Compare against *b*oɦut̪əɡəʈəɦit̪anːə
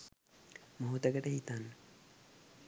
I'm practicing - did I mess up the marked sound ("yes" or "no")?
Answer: yes